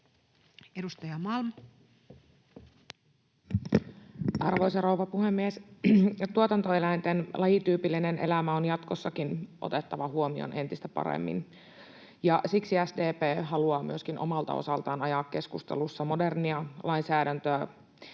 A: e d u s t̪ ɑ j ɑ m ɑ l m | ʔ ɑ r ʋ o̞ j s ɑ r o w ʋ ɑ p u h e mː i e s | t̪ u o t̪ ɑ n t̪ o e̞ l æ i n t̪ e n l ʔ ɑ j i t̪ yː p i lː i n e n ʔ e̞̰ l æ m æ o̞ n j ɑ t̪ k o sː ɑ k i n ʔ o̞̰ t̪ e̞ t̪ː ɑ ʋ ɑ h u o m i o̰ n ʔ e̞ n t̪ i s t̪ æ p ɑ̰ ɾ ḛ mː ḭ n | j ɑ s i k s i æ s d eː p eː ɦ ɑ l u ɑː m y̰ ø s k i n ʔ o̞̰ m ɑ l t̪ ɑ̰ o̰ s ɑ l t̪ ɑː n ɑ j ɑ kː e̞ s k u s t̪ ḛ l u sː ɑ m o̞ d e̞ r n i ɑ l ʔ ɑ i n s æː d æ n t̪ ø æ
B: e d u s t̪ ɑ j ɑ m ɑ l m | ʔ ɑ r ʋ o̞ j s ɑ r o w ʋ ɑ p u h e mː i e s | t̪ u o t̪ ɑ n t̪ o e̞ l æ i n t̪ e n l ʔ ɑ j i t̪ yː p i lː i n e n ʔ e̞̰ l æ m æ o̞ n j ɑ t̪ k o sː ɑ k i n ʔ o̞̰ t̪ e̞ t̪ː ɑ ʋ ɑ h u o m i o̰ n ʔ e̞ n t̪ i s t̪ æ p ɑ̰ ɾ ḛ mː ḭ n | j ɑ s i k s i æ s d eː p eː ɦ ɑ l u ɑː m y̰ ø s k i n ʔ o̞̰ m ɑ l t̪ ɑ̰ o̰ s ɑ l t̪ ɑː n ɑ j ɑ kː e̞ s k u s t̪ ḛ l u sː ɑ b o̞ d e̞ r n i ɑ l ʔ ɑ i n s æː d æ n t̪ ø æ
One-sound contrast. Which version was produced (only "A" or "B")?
A